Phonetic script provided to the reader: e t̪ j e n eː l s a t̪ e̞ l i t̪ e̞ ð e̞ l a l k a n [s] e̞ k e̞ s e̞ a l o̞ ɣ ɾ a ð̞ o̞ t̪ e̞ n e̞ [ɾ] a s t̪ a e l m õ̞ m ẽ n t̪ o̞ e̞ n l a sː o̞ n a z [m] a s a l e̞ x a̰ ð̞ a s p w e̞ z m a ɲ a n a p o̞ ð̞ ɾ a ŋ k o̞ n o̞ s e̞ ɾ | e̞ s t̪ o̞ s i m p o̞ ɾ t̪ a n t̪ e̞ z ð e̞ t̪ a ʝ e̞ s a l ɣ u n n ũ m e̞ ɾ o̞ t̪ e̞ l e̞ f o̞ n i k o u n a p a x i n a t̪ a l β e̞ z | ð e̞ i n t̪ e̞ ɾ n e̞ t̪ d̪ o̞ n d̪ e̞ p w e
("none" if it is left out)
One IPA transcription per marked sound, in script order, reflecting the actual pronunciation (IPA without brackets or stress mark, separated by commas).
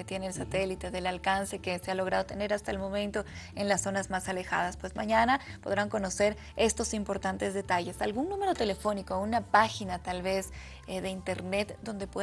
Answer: s, ɾ, m